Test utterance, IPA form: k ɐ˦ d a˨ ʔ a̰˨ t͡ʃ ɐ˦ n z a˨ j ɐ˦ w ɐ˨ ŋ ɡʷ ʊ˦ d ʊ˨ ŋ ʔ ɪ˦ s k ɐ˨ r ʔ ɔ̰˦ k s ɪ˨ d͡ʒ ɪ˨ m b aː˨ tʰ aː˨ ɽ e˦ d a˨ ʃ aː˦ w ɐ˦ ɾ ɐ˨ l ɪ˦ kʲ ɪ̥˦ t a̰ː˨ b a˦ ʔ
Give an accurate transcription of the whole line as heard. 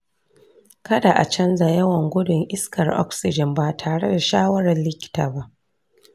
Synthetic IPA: k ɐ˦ d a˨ ʔ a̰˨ t͡ʃ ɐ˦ n z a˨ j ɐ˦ w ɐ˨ ŋ ɡʷ ʊ˦ d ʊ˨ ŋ ʔ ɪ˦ s k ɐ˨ r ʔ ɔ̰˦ k s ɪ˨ d͡ʒ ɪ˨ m b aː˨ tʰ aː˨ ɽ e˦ d a˨ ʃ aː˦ w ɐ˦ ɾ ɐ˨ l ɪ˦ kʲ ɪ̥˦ t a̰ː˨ b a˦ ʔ